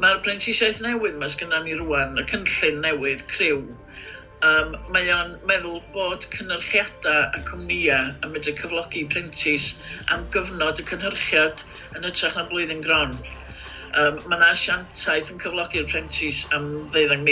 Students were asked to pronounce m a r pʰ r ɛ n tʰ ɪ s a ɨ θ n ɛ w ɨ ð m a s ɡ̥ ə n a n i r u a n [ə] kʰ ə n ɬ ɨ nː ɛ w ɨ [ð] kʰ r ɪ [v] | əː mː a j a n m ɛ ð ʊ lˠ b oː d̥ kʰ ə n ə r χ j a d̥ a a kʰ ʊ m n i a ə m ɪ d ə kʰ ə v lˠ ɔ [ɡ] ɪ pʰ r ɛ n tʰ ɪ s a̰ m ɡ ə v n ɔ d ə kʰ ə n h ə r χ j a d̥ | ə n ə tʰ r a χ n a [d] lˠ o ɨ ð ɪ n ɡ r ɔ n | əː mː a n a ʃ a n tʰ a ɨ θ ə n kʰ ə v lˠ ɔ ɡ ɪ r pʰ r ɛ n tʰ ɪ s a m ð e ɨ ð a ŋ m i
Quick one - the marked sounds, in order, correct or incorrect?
correct, correct, incorrect, correct, incorrect

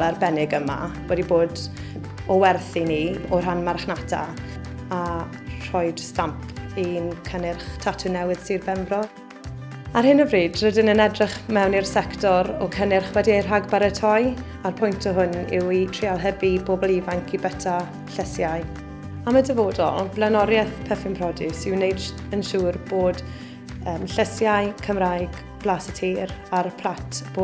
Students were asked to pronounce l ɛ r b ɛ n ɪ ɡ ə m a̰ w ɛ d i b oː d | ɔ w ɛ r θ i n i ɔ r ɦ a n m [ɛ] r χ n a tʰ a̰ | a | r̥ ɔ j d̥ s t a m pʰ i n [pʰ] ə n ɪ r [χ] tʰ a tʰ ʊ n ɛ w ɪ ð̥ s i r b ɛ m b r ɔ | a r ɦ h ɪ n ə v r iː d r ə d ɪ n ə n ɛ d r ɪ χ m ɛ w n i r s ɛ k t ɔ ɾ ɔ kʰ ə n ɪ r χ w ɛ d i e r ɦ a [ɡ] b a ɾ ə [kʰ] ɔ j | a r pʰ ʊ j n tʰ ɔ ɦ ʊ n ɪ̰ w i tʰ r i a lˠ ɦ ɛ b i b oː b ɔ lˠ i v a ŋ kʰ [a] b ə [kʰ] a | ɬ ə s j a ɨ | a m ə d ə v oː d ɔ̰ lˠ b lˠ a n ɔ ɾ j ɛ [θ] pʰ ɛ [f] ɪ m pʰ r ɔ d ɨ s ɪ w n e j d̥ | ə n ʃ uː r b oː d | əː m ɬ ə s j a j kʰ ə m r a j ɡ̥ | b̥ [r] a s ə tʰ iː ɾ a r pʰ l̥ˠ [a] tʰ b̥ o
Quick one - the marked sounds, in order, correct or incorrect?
incorrect, incorrect, correct, correct, incorrect, incorrect, incorrect, correct, correct, incorrect, correct

